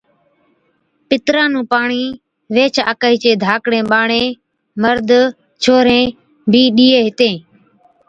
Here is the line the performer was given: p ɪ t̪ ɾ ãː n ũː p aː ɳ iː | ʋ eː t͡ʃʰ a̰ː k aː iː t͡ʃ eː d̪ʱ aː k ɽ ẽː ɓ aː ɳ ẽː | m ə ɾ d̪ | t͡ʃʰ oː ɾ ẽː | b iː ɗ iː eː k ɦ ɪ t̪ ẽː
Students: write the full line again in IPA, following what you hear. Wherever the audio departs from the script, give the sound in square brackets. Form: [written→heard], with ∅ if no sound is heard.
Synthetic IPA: p ɪ t̪ ɾ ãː n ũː p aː ɳ iː | ʋ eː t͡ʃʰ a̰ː k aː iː t͡ʃ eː d̪ʱ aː k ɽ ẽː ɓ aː ɳ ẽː | m ə ɾ d̪ | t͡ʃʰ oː ɾ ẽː | b iː ɗ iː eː [k→∅] ɦ ɪ t̪ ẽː